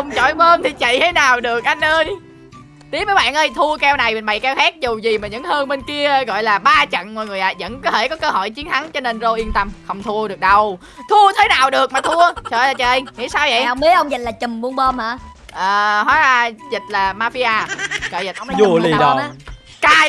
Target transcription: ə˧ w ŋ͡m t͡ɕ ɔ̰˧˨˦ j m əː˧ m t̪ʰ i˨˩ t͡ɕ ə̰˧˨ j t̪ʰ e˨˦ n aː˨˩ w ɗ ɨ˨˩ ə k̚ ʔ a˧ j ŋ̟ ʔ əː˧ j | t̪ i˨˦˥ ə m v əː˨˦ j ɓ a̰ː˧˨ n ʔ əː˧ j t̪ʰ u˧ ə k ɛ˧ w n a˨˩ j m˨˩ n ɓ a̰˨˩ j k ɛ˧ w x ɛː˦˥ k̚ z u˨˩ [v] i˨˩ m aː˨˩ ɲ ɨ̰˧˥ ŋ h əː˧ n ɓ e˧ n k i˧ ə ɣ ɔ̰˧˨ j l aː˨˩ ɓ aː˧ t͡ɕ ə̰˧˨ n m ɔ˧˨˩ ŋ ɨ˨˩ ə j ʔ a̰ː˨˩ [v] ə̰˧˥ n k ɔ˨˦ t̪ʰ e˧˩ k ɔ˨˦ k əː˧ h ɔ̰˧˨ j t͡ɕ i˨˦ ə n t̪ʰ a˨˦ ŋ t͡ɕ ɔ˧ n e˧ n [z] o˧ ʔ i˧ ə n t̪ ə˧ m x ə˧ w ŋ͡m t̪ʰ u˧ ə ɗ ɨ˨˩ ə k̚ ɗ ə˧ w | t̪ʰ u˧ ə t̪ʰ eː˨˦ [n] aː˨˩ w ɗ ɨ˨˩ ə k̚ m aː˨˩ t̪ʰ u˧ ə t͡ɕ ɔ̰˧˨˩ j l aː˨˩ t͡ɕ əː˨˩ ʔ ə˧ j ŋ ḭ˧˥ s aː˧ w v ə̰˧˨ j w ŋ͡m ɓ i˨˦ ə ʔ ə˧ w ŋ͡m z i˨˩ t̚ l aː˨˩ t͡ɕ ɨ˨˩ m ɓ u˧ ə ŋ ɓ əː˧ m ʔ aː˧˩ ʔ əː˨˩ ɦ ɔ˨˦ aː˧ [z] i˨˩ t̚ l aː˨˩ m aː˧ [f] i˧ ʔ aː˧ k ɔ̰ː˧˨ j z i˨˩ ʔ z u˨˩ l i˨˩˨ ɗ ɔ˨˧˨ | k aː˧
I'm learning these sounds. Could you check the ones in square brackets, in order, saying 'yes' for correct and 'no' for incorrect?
no, no, yes, yes, yes, yes

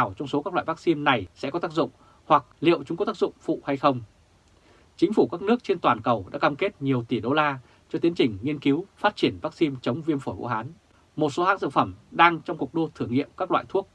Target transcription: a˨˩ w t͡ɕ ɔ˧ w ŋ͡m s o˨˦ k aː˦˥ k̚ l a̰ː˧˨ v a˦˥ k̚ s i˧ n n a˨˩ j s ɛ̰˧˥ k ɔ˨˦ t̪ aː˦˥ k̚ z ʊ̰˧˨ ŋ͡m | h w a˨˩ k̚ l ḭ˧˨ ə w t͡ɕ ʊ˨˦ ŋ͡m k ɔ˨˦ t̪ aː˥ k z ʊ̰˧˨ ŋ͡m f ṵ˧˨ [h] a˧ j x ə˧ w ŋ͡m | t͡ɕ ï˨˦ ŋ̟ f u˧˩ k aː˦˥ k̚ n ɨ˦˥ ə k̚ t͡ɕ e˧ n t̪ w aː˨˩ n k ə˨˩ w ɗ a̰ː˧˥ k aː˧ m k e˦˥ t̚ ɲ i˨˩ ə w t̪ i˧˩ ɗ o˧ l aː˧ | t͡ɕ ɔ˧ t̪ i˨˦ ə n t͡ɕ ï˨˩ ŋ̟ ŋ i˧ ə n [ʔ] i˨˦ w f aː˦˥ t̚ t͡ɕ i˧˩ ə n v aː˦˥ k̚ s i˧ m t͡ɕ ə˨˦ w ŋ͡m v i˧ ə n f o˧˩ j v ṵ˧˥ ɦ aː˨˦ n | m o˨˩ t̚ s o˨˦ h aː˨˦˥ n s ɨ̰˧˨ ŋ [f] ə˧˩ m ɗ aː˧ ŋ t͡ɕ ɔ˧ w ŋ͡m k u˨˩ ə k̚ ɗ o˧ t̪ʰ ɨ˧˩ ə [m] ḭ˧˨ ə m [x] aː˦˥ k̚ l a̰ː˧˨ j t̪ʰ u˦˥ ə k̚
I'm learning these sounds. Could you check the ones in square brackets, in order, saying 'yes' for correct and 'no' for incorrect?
yes, no, yes, no, no

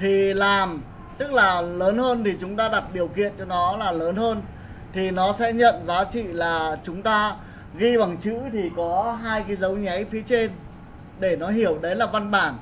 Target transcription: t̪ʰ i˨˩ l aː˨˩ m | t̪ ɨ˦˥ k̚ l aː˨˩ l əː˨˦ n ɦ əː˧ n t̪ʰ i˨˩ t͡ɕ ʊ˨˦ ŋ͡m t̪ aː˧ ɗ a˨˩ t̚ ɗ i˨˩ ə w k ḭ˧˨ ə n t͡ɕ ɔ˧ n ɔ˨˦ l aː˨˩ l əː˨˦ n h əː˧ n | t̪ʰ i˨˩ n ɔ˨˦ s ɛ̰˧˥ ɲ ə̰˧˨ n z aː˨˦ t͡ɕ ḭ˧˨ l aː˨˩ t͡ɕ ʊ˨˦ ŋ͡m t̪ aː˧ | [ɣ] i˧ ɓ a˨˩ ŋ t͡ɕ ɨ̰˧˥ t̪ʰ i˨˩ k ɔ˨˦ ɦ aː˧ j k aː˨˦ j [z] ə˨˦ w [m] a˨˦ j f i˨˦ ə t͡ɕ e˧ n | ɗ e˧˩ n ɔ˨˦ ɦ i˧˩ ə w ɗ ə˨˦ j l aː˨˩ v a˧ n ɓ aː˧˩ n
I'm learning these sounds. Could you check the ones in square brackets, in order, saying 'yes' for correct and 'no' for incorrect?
yes, yes, no

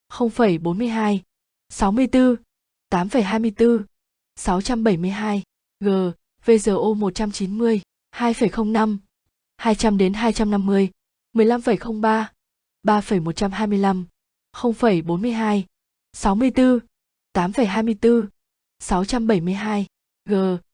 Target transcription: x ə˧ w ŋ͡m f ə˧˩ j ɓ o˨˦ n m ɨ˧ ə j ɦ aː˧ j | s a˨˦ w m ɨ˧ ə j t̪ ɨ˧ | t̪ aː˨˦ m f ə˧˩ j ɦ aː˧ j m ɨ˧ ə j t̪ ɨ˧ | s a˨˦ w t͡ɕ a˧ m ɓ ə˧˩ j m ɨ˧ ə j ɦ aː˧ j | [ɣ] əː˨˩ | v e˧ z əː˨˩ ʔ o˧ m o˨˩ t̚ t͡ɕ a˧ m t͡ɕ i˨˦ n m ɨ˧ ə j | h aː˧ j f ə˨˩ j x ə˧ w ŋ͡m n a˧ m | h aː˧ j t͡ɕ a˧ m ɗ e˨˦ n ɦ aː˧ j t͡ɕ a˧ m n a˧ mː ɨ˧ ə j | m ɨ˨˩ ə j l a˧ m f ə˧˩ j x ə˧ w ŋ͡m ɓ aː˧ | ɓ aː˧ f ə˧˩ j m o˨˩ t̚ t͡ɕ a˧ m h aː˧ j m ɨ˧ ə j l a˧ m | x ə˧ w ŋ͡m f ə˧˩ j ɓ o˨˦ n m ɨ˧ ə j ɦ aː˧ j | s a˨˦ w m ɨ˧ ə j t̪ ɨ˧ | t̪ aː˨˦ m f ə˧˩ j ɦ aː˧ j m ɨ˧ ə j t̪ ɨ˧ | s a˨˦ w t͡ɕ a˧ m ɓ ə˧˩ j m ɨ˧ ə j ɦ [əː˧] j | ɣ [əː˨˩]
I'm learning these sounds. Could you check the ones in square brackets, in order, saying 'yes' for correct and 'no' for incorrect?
yes, no, yes

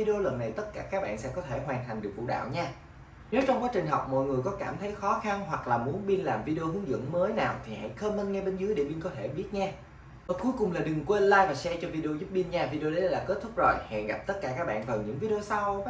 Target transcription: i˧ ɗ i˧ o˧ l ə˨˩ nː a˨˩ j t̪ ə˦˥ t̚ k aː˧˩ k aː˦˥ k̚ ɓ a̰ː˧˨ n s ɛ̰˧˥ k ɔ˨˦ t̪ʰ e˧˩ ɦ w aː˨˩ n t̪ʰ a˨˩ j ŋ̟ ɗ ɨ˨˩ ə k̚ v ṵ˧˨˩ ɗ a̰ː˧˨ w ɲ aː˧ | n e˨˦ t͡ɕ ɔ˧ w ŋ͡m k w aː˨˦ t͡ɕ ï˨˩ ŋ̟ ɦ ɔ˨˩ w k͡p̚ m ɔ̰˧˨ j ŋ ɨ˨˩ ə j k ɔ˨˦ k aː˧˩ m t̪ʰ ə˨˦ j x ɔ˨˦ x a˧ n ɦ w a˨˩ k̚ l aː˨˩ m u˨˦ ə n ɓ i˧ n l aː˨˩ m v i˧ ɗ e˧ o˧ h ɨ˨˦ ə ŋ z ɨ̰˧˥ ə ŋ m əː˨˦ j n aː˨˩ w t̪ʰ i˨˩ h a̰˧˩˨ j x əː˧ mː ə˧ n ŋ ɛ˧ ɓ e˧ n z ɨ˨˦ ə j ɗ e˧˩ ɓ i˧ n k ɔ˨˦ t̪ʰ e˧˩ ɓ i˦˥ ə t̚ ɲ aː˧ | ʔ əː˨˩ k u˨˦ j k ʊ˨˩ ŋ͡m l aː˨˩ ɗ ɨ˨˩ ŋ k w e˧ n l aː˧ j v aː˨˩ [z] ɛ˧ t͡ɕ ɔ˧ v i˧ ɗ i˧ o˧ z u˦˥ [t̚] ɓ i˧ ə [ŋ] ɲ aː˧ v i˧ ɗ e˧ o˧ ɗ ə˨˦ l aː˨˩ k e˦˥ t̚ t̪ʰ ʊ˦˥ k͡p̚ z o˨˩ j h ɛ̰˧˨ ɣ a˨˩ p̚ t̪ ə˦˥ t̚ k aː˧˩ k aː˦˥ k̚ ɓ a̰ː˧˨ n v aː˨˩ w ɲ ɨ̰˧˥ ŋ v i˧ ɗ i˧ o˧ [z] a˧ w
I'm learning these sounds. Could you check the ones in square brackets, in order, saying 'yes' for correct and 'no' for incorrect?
no, no, no, no

